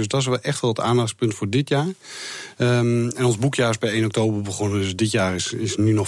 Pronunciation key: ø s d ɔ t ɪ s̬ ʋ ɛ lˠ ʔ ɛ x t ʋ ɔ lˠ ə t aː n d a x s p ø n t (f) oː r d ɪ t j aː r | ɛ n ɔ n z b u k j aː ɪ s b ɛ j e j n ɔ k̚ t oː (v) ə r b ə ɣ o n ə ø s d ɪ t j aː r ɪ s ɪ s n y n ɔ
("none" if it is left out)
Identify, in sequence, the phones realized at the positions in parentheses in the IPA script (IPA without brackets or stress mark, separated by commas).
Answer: f, b